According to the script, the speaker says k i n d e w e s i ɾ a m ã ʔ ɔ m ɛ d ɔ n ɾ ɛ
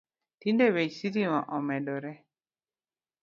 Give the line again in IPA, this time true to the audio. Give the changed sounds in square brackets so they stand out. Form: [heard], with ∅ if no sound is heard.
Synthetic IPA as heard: [t] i n d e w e s i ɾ [i] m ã ʔ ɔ m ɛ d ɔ [∅] ɾ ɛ